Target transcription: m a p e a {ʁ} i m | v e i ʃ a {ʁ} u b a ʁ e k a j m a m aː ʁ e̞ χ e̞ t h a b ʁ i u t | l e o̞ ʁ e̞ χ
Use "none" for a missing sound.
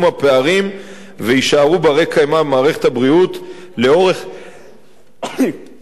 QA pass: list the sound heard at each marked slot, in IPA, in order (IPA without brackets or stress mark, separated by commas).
ʁ, ʁ